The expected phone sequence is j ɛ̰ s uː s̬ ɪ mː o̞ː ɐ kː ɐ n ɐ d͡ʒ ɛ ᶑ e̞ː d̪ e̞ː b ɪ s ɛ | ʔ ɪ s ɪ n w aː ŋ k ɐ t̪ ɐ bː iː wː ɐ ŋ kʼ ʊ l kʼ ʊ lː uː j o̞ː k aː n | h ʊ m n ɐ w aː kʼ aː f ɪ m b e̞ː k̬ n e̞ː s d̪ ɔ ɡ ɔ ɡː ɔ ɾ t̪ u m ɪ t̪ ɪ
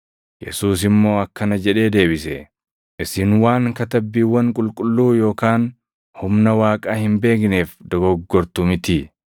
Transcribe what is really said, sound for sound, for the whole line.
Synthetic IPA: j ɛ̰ s uː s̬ ɪ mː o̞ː ɐ kː ɐ n ɐ d͡ʒ ɛ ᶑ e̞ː d̪ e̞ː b ɪ s ɛ | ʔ ɪ s ɪ n w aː ŋ k ɐ t̪ ɐ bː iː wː ɐ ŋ kʼ ʊ l kʼ ʊ lː uː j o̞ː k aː n | h ʊ m n ɐ w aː kʼ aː h ɪ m b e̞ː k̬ n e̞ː f d̪ ɔ ɡ ɔ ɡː ɔ ɾ t̪ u m ɪ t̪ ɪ